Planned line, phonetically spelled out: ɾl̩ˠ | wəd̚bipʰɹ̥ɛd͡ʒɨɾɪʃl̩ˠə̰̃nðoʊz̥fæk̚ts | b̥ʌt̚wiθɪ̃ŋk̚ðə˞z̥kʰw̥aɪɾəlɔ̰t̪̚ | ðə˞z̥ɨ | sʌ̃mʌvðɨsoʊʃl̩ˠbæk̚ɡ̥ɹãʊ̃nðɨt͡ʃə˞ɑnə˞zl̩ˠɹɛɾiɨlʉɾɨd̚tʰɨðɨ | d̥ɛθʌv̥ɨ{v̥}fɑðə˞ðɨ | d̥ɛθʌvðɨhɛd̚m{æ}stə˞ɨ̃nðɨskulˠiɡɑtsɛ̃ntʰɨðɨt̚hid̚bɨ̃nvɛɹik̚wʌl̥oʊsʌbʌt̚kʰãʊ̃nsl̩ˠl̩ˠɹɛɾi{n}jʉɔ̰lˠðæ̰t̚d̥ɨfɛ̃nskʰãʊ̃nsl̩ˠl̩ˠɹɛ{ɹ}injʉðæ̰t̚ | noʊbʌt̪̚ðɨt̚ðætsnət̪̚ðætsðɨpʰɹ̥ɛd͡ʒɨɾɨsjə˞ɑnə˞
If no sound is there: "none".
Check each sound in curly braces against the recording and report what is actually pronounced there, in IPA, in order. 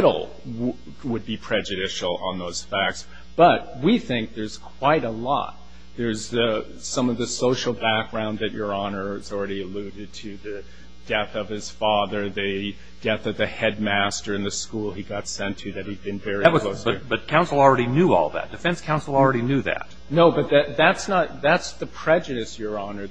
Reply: z̥, æ, n, ɾ

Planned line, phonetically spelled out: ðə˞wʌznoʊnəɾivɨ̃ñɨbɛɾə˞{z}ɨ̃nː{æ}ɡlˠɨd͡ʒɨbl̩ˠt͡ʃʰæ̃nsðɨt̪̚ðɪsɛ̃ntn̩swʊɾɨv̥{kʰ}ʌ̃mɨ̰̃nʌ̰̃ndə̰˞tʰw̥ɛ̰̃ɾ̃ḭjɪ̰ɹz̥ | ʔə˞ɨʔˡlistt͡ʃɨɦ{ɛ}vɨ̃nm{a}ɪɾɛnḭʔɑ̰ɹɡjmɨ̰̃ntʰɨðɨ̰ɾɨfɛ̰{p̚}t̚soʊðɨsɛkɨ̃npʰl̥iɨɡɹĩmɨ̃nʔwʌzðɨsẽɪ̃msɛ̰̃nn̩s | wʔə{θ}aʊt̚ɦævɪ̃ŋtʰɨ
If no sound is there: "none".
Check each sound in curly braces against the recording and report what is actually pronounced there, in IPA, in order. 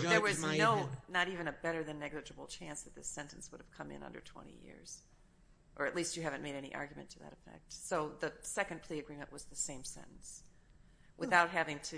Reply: ð, ɛ, kʰ, æ, e, k̚, θ

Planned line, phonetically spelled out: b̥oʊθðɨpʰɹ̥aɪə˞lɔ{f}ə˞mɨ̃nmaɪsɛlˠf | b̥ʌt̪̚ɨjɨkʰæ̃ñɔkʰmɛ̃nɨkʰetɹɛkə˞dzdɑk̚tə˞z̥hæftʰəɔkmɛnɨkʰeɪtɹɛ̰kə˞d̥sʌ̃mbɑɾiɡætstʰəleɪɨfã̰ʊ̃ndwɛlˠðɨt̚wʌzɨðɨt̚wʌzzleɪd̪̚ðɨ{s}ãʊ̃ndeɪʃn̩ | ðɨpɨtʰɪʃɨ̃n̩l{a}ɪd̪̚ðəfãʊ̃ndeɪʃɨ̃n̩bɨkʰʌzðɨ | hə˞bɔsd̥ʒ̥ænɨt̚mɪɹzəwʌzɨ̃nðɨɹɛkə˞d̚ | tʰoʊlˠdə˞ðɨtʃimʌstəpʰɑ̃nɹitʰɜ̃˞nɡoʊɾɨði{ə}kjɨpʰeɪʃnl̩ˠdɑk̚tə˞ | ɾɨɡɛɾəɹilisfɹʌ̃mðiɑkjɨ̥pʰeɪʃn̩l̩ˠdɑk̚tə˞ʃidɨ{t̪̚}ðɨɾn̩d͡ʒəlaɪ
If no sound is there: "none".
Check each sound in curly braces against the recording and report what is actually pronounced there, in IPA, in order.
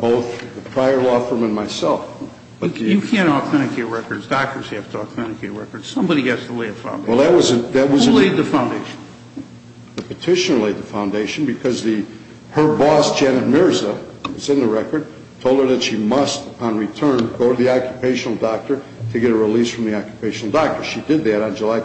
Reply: f, f, e, ɑ, d̪̚

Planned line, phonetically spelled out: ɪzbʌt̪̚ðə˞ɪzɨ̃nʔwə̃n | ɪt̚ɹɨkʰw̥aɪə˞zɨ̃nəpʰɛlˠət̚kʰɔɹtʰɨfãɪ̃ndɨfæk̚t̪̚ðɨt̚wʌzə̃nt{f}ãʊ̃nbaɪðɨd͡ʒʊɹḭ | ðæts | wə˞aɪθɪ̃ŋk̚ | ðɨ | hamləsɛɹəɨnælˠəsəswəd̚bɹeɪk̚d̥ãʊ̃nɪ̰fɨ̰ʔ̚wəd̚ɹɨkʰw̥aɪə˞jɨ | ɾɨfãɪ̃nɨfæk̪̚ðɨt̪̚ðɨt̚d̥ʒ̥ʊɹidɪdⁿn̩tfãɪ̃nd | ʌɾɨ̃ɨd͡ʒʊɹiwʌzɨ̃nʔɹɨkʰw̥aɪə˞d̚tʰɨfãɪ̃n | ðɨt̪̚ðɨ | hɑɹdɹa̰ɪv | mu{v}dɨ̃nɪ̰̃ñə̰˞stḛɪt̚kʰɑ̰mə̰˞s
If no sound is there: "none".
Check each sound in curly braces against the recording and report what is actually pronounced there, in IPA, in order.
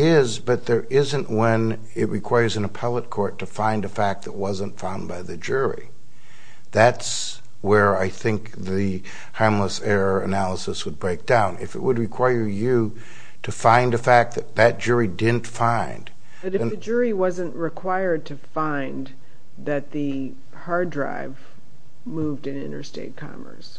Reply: f, v

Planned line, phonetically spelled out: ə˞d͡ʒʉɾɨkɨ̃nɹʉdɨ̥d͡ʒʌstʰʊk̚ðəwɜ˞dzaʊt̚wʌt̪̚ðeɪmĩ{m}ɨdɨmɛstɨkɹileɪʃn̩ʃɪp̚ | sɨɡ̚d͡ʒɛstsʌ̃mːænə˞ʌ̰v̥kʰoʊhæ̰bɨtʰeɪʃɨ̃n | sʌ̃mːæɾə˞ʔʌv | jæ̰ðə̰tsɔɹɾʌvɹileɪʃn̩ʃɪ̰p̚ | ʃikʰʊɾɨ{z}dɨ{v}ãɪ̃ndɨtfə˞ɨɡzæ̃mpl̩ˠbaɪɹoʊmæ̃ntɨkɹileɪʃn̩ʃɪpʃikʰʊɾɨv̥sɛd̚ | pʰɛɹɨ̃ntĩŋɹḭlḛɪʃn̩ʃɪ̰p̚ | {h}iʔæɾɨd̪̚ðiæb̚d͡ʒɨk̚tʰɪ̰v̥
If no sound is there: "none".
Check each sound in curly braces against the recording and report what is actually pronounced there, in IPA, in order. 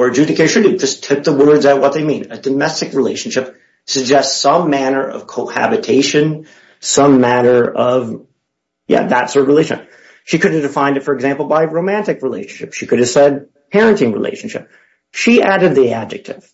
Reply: n, v, f, ʃ

